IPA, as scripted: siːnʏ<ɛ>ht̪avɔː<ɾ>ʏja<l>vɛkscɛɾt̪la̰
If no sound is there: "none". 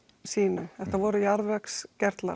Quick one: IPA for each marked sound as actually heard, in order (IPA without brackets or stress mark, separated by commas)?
ɛ, ɾ, ɾ